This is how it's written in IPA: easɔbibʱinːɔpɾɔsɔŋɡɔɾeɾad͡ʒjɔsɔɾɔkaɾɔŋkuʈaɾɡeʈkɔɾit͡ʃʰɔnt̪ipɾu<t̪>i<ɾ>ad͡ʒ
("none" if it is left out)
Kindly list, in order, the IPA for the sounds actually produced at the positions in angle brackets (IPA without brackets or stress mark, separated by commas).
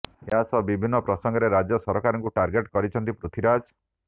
t̪ʰ, ɾ